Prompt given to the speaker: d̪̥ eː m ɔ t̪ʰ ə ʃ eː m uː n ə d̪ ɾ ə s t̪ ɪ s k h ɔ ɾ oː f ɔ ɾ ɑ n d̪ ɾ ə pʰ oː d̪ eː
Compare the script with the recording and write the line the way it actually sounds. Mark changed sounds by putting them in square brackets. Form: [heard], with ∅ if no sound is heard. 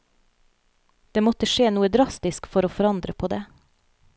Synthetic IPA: d̪̥ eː m ɔ [t̪] ə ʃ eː [n] uː [∅] ə d̪ ɾ [ɑ] s t̪ ɪ s k [f] ɔ ɾ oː f ɔ ɾ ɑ n d̪ ɾ ə pʰ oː d̪ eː